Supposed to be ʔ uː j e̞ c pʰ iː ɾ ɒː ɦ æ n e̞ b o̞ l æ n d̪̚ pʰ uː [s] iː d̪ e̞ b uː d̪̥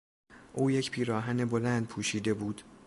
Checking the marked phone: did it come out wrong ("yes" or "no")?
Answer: yes